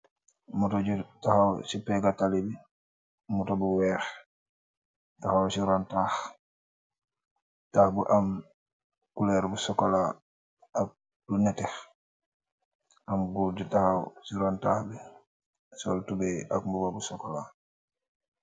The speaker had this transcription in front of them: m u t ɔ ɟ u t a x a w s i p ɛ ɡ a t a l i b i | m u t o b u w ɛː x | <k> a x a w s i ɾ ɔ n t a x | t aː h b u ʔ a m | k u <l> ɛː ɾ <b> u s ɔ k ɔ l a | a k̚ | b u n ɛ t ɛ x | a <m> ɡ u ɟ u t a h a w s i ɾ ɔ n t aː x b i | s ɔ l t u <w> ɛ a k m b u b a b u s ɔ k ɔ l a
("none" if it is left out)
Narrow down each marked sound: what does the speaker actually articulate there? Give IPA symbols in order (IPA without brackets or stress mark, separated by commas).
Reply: t, l, b, m, b